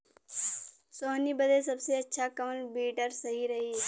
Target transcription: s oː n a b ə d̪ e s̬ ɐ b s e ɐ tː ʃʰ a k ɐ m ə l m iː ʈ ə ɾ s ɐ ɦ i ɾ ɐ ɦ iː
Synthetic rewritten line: s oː n i b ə d̪ e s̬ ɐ b s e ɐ tː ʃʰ a k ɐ m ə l b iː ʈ ə ɾ s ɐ ɦ i ɾ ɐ ɦ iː